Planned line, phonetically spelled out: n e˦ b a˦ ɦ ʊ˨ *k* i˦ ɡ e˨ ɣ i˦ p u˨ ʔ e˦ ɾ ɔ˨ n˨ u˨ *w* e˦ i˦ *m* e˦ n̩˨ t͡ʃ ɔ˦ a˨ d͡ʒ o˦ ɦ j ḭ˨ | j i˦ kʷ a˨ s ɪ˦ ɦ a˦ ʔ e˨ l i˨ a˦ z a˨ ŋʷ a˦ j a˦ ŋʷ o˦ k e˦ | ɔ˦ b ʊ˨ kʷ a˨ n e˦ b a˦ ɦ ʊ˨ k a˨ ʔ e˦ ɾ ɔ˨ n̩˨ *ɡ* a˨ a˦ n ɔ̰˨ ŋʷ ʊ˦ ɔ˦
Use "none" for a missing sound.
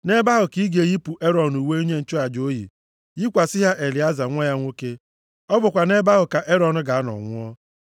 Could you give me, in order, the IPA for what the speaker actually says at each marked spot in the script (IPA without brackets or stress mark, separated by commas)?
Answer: k, w, ɲ, ɡ